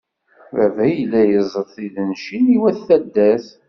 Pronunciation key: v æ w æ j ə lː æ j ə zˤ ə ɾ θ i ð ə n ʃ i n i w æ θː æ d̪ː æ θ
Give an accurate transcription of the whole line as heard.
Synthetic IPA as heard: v æ v æ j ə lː æ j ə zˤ ə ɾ θ i ð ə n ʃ i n i w æ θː æ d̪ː æ θ